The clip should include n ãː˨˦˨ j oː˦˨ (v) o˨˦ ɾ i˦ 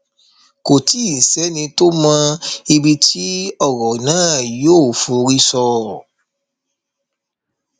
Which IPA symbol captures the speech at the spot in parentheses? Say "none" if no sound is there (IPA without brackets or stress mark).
f